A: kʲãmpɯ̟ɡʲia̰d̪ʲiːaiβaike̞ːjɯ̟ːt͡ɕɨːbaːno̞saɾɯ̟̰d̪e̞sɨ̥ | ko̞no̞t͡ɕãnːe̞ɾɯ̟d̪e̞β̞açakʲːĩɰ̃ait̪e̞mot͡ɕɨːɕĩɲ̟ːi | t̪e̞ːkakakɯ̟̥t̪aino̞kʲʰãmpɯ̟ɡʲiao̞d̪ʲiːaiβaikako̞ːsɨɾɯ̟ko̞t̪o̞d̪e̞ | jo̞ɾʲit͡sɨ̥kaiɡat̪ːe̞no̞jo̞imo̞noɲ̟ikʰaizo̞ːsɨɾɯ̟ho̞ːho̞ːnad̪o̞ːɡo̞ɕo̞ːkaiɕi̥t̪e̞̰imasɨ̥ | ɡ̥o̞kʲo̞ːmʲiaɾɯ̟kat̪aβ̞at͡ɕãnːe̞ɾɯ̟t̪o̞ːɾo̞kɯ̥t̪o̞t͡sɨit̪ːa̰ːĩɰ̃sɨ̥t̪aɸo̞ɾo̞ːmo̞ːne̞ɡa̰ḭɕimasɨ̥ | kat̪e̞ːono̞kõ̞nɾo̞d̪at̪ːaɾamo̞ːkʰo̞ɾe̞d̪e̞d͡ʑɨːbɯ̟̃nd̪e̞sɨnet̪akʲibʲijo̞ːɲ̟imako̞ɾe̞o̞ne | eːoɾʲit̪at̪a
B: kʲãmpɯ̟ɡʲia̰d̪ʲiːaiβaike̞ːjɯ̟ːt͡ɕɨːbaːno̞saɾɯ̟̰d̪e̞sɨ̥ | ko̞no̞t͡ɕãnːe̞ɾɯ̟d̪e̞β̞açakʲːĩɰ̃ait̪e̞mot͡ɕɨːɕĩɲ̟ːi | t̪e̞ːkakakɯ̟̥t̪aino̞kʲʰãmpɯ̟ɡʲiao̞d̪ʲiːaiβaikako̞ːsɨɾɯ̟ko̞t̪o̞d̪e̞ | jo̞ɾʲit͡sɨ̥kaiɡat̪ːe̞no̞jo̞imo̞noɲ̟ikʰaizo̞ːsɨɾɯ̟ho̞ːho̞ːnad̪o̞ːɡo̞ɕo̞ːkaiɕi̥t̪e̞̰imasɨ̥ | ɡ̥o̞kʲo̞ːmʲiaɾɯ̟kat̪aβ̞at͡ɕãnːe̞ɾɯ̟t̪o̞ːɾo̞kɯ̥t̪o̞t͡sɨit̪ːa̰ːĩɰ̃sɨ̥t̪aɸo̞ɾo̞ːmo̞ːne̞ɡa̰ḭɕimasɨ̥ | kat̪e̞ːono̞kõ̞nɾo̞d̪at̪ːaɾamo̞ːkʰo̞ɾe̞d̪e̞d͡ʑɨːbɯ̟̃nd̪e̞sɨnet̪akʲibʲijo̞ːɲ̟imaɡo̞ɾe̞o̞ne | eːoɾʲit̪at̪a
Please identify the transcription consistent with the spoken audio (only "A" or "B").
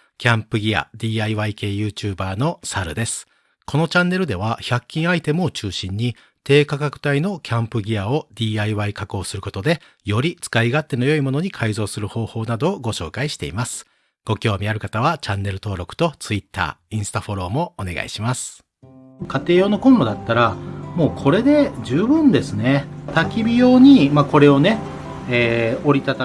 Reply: A